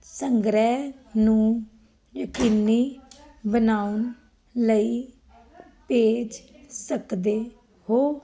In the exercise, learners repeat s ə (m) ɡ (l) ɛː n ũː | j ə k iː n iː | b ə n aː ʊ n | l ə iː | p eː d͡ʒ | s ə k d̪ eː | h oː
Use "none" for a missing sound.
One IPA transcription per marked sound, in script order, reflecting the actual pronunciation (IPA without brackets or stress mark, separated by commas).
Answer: ŋ, ɾ